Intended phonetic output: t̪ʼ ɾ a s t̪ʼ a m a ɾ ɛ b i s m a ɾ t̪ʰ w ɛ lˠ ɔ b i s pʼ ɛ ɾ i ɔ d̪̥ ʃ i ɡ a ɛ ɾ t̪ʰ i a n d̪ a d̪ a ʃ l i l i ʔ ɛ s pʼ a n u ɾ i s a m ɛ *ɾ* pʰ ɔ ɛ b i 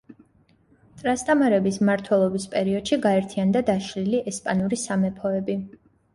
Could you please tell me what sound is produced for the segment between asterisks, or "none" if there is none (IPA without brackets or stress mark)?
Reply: none